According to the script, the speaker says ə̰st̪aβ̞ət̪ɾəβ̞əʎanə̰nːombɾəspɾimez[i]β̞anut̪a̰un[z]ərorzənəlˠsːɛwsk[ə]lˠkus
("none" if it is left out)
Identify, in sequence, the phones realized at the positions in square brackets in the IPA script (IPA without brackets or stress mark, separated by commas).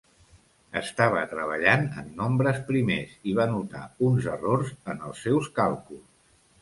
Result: i, z, a